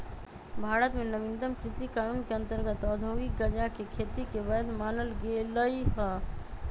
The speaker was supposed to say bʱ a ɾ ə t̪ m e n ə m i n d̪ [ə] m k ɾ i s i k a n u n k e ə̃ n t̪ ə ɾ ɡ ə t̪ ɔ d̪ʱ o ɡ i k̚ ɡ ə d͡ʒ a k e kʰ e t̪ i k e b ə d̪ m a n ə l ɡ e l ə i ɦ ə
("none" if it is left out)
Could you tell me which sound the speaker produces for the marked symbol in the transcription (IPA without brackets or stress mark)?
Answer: ə